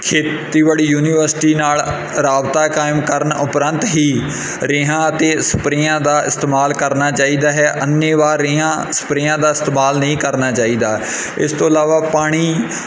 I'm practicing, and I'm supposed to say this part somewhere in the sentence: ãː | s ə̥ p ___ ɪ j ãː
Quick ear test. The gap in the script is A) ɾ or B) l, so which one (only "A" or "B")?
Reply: A